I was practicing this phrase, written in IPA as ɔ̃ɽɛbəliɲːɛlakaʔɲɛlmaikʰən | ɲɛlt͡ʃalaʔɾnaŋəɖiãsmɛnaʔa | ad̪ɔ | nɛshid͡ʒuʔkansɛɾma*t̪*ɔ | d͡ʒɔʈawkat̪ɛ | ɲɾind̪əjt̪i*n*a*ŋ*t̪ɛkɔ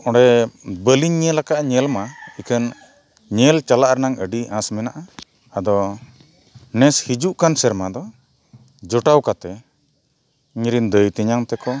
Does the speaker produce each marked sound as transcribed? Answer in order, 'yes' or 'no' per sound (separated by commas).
no, no, yes